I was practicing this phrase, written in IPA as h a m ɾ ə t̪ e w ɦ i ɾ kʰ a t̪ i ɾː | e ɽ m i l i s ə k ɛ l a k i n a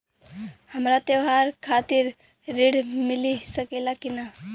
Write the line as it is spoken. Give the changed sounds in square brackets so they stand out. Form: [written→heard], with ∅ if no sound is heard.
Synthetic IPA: h [a→ə] m ɾ [ə→a] t̪ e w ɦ [i→a] ɾ kʰ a t̪ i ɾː | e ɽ m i l i s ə k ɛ l a k i n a